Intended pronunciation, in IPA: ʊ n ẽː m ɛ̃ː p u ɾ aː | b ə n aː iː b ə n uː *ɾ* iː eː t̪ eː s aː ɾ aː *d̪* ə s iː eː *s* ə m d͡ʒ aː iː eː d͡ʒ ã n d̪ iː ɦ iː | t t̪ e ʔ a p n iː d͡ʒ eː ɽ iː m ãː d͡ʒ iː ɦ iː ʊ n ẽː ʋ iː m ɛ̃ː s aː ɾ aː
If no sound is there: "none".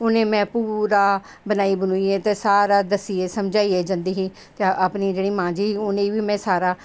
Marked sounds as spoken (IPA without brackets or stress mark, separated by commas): none, d̪, s